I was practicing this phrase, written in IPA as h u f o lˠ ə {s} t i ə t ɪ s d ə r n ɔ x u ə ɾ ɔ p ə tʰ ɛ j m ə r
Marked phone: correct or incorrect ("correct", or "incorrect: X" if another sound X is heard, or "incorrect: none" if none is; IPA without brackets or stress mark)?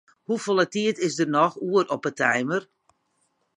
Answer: incorrect: none